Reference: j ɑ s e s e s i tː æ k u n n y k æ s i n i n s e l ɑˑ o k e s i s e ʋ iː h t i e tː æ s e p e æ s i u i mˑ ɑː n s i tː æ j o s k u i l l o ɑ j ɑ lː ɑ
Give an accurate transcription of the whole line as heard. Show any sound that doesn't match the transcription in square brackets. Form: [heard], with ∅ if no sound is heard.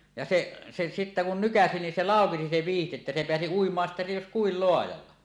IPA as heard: j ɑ s e s e s i tː æ k u n n y k æ s i n i n s e l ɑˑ o k e s i s e ʋ iː h t i e tː æ s e p e æ s i u i mˑ ɑː n s i tː æ j o s k u i l l o ɑ j ɑ lː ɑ